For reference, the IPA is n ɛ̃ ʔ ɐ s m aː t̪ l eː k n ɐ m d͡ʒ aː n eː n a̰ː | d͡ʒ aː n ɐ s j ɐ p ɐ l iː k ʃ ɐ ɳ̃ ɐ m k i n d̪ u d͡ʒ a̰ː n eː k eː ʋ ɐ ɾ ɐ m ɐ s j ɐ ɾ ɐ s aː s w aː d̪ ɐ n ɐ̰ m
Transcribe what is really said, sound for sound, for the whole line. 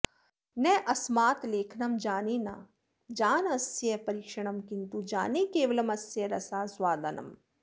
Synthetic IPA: n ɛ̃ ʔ ɐ s m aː t̪ l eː kʰ n ɐ m d͡ʒ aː n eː n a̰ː | d͡ʒ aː n ɐ s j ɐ p ɐ ɾ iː k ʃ ɐ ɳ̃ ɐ m k i n t̪ u d͡ʒ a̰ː n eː k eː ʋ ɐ l ɐ m ɐ s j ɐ ɾ ɐ s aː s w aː d̪ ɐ n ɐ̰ m